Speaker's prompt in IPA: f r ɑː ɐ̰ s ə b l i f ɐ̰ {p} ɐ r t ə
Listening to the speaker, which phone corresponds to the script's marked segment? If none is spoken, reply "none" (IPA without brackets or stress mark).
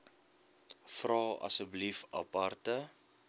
p